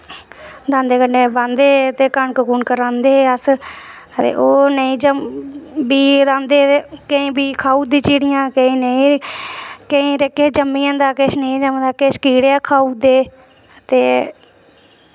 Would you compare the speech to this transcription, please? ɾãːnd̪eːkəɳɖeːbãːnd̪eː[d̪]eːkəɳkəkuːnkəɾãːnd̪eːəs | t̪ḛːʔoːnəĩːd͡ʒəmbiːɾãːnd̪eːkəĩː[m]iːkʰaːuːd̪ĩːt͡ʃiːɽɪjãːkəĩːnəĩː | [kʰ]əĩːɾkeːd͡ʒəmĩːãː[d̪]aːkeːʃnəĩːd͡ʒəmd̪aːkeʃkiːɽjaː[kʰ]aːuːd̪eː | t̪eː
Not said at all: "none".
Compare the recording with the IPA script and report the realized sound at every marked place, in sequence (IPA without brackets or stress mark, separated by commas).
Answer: t̪, b, k, d̪, kʰ